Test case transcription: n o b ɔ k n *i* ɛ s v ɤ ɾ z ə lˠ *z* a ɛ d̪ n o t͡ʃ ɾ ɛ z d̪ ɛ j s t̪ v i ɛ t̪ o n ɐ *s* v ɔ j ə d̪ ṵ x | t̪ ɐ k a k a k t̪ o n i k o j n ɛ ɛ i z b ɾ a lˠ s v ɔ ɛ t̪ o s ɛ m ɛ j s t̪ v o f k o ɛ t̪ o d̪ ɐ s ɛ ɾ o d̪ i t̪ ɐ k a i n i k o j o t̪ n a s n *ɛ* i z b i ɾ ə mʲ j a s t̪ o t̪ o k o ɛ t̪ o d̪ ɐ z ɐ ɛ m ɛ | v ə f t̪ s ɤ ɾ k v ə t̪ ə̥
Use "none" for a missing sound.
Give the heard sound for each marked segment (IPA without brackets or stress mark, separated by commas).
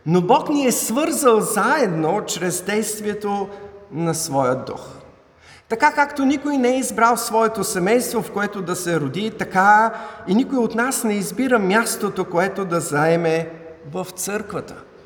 i, z, s, ɛ